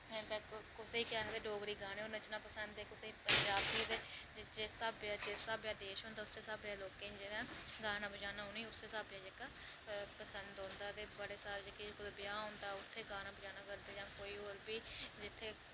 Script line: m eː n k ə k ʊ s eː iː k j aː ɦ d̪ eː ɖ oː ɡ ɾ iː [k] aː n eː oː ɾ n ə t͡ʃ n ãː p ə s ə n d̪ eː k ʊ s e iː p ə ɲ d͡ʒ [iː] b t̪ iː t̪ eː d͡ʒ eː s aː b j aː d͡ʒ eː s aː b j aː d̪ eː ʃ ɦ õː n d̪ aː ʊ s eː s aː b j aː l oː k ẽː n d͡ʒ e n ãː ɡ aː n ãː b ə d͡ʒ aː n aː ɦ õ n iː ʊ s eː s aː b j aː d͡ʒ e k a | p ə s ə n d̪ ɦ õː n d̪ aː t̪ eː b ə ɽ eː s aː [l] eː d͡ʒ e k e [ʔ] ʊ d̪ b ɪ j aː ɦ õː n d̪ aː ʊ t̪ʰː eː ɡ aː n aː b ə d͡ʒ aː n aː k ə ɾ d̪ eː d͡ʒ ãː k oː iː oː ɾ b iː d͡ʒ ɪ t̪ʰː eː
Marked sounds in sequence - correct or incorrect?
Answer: incorrect: ɡ, incorrect: aː, incorrect: ɾ, incorrect: k

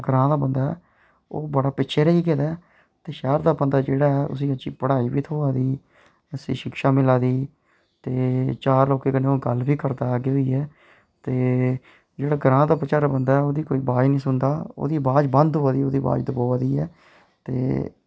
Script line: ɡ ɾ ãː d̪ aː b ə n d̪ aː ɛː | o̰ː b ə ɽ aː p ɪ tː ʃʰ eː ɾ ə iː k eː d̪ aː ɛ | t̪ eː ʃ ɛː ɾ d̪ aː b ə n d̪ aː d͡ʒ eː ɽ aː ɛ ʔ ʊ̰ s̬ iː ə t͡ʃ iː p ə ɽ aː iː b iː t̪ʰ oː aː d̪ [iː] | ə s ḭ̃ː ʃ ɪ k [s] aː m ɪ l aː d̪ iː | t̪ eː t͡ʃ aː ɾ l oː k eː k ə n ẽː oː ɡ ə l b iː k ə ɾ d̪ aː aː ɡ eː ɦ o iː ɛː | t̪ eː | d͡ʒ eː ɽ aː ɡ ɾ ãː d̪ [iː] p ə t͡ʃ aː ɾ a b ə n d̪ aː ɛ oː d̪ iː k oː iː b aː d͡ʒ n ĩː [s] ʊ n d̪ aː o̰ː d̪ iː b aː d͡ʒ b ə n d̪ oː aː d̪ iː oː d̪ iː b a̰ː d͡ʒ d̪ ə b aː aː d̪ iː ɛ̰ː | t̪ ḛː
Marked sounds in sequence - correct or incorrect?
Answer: correct, incorrect: ʃ, incorrect: aː, correct

